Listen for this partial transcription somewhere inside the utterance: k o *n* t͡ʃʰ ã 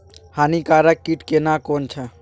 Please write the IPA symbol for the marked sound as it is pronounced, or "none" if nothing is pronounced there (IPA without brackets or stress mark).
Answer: n